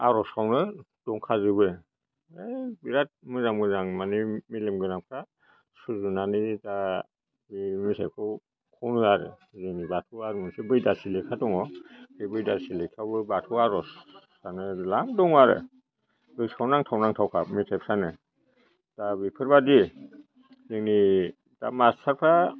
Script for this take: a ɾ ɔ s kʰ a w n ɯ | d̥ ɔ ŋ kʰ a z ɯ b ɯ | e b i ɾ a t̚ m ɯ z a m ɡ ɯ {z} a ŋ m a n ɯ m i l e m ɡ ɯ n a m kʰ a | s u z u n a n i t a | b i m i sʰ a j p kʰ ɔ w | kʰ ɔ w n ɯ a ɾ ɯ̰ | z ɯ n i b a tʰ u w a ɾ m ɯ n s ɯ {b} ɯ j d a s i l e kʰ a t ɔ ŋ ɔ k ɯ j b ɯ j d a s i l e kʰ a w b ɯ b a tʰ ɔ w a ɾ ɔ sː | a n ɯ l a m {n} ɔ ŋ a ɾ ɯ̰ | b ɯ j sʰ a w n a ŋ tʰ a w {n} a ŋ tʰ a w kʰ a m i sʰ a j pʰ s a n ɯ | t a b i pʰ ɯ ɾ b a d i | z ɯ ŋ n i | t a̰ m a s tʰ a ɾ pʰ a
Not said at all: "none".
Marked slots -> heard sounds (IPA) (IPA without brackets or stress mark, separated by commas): z, b, d, n